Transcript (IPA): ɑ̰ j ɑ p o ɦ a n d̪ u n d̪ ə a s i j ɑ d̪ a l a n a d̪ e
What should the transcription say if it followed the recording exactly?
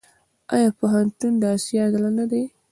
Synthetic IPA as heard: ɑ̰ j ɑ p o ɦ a n t̪ u n d̪ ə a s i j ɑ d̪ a l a n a d̪ e